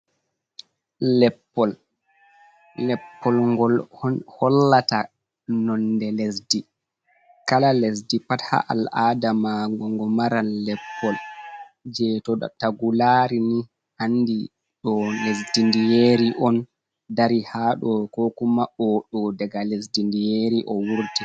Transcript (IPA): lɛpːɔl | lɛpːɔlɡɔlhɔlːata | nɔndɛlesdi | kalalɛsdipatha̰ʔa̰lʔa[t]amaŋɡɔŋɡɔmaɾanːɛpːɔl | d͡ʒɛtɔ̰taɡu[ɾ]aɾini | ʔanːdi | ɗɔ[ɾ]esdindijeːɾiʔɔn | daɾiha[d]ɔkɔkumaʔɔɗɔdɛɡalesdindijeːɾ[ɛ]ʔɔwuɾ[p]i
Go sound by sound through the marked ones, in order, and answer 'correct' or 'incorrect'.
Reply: incorrect, incorrect, incorrect, incorrect, incorrect, incorrect

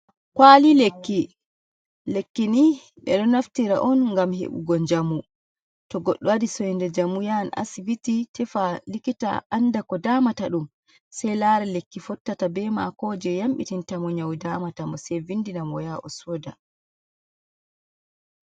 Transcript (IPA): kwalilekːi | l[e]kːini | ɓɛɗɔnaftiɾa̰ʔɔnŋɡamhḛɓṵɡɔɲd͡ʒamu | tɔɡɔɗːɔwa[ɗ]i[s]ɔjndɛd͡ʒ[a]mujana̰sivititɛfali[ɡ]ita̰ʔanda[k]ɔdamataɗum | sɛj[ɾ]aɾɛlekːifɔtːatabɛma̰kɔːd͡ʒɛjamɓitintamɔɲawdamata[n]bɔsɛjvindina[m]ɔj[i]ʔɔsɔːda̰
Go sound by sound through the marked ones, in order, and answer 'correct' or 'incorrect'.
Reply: correct, incorrect, correct, correct, incorrect, correct, incorrect, incorrect, correct, incorrect

